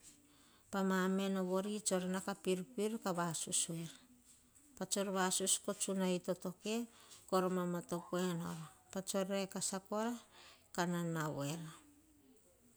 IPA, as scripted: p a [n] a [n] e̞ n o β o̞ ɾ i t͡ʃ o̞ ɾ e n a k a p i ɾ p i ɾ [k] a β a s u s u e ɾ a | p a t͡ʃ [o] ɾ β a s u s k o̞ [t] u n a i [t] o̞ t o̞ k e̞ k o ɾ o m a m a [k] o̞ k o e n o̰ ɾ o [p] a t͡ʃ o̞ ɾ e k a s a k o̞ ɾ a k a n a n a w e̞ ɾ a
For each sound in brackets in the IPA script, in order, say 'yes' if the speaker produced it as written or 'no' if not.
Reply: no, no, yes, yes, no, yes, no, yes

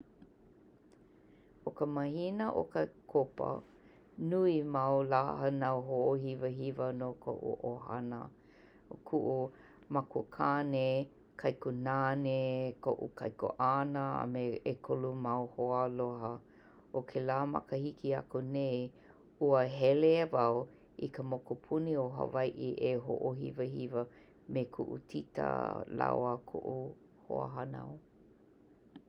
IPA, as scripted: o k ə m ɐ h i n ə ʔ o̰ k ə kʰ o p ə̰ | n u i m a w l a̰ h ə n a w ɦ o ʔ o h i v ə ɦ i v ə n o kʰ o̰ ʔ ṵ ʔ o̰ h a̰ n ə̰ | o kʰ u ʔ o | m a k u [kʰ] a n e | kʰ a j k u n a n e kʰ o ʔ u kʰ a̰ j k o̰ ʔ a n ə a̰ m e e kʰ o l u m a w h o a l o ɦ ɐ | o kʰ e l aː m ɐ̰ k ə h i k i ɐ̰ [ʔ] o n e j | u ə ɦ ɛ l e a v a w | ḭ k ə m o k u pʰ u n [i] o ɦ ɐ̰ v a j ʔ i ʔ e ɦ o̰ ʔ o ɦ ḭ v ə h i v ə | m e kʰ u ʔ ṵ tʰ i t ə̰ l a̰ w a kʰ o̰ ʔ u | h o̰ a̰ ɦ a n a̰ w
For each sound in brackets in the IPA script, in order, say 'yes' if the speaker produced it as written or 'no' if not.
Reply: yes, no, yes

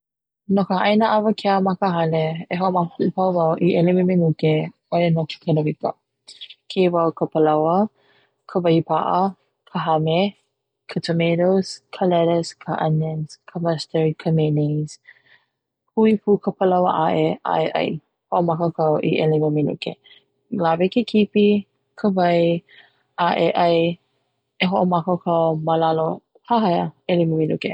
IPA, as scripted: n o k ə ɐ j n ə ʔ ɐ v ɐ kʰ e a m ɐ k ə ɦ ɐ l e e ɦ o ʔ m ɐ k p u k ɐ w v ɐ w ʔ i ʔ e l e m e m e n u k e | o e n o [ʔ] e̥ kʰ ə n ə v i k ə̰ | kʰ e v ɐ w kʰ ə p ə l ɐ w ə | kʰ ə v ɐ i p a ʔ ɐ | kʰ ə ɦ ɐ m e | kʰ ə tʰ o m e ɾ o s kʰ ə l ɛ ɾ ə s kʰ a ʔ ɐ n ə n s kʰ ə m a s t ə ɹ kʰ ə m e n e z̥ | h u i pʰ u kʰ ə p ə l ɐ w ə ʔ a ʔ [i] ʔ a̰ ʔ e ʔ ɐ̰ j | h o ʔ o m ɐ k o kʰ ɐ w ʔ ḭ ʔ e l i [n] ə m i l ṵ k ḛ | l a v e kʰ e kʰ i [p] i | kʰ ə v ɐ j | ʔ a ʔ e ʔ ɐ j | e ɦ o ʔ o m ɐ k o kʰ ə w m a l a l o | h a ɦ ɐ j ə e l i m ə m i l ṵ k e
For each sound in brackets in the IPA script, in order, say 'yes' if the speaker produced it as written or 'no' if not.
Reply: no, no, no, yes

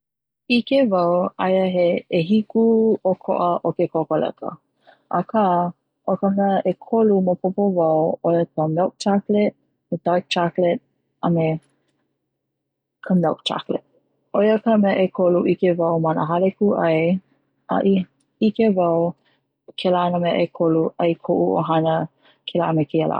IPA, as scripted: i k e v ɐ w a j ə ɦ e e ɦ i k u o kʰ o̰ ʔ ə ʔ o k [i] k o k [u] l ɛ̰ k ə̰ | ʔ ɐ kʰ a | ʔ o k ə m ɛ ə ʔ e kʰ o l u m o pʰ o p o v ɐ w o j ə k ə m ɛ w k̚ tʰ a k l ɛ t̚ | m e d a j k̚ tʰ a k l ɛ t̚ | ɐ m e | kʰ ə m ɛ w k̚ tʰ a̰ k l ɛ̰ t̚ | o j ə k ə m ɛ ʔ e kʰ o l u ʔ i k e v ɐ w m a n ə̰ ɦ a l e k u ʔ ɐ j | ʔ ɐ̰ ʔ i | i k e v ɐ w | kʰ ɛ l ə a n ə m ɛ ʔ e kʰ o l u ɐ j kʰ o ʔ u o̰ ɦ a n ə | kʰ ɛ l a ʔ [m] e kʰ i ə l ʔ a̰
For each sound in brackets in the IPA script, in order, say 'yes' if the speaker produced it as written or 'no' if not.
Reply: no, no, yes

